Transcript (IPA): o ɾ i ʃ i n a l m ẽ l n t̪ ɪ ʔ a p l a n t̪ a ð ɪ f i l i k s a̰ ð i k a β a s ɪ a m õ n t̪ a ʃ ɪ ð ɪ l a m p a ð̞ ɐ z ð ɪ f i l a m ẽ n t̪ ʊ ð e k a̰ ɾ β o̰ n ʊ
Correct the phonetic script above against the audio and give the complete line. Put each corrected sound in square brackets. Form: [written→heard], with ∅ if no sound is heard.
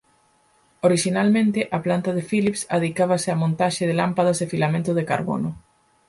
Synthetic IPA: o ɾ i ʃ i n a l m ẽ [l→∅] n t̪ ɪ ʔ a p l a n t̪ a ð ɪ f i l i [k→p] s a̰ ð i k a β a s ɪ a m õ n t̪ a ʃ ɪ ð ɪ l a m p a ð̞ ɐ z ð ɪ f i l a m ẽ n t̪ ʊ ð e k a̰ ɾ β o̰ n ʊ